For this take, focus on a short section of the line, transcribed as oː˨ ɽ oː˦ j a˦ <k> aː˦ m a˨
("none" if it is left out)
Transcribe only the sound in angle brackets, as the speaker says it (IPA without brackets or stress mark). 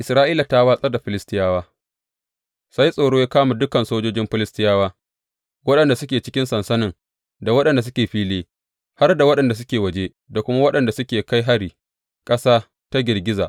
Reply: k